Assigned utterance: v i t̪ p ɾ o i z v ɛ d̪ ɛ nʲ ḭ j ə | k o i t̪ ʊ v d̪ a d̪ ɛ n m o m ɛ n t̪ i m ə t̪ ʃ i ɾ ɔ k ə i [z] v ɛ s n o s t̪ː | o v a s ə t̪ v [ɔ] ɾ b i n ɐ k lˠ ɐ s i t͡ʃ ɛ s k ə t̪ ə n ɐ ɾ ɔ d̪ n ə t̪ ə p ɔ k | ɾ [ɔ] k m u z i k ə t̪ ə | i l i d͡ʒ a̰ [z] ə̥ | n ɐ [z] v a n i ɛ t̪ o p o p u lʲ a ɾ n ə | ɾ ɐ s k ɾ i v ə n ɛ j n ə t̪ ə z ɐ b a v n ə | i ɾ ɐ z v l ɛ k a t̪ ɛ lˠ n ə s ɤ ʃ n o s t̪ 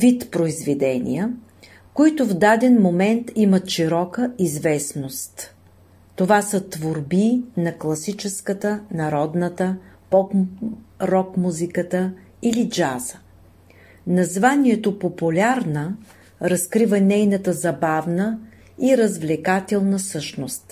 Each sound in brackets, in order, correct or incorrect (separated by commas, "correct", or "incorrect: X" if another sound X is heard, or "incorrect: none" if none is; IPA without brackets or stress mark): correct, incorrect: o, correct, correct, correct